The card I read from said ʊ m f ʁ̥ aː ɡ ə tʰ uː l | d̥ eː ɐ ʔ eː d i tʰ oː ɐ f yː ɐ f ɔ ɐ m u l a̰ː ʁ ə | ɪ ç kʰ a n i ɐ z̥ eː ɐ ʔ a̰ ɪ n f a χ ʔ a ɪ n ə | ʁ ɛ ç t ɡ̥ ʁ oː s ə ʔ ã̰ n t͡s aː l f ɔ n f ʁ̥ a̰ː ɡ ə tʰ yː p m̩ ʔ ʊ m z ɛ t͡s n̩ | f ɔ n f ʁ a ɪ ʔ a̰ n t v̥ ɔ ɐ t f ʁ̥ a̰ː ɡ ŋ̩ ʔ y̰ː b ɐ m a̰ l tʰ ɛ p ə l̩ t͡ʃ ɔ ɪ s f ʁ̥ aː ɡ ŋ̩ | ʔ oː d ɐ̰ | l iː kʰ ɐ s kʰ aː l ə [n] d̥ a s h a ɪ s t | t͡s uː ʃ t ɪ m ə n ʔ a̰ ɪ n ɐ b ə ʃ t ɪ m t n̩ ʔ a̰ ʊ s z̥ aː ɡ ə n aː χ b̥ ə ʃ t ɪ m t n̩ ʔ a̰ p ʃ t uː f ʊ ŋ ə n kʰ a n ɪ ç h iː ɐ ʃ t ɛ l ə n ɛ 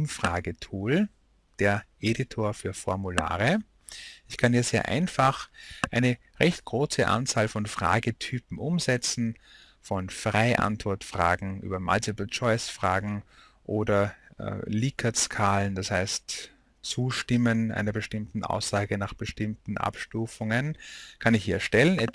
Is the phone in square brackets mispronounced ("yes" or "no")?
no